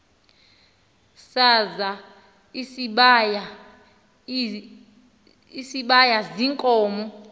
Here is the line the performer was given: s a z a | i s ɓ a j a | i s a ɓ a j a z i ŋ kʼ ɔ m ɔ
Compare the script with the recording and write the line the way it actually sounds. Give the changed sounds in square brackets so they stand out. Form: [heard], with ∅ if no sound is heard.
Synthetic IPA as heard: s a z a | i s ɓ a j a | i s [i] ɓ a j a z i ŋ kʼ [ɔː] m ɔ